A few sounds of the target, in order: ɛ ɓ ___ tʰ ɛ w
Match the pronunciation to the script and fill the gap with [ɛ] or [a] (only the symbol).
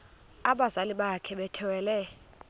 ɛ